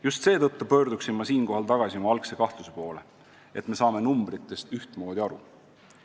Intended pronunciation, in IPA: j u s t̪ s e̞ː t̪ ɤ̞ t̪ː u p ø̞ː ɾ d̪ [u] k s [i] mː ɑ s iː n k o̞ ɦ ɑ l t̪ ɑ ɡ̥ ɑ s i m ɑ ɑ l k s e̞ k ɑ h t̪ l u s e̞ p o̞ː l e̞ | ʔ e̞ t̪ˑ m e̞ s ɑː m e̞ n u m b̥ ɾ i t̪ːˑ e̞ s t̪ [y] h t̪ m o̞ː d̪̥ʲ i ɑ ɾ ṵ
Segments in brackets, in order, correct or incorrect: correct, correct, correct

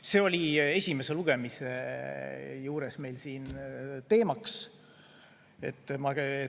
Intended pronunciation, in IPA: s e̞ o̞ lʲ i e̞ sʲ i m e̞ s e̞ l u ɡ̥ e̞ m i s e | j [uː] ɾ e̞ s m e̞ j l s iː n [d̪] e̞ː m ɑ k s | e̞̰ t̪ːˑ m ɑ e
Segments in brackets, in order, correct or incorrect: correct, incorrect: t̪

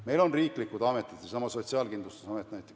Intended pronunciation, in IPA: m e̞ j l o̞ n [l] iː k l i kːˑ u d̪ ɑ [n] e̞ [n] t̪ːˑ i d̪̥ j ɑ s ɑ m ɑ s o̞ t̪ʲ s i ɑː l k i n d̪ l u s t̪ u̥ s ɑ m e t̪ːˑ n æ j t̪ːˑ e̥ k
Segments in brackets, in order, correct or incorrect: incorrect: r, incorrect: m, incorrect: none

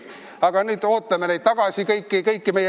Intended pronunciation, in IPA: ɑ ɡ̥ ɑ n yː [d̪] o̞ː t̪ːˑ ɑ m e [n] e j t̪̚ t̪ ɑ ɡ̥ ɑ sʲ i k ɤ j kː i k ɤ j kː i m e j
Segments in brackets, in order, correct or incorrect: correct, correct

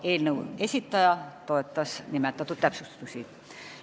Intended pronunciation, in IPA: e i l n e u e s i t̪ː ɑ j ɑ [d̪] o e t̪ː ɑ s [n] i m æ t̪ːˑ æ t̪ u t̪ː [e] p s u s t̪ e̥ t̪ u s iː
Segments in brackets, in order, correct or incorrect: incorrect: t̪, correct, incorrect: æ

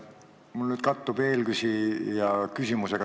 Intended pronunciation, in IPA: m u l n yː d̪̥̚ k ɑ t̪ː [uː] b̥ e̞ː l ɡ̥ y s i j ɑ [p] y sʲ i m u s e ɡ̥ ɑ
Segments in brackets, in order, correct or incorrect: incorrect: u, incorrect: k

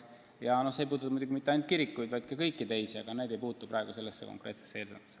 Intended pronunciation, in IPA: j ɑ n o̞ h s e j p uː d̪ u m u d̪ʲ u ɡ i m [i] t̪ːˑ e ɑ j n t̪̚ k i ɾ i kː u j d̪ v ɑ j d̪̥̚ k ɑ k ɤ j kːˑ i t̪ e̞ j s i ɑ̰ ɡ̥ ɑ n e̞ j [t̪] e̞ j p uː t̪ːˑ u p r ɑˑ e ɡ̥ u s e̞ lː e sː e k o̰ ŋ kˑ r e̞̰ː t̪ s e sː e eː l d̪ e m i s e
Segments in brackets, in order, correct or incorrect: correct, incorrect: d̪

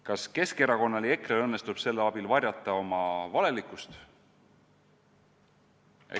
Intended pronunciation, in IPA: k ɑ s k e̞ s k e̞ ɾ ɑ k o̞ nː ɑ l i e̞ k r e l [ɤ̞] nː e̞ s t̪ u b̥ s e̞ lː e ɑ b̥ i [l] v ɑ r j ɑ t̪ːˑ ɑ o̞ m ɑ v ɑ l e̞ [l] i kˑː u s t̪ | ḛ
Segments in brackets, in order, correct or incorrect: correct, correct, correct

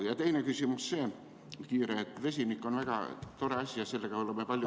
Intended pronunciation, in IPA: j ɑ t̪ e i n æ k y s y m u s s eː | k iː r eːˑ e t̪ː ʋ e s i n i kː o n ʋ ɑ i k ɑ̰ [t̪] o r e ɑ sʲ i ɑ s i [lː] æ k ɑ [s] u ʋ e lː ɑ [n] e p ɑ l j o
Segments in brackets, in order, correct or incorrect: correct, correct, incorrect: none, incorrect: m

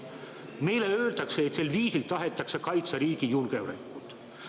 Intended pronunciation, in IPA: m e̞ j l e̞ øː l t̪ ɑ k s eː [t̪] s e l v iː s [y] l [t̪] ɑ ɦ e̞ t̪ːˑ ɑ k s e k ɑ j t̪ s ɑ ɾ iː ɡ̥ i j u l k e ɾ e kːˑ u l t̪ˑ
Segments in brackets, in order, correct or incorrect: correct, incorrect: i, correct

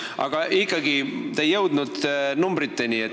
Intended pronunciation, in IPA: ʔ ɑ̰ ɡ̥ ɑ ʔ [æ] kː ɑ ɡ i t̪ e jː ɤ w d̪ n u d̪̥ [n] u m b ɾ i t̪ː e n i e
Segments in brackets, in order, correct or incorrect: incorrect: i, correct

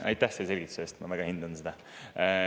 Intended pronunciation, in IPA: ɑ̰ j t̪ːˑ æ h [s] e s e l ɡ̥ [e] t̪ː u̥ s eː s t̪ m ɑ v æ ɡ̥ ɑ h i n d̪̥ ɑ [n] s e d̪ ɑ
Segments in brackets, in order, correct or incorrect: correct, incorrect: i, correct

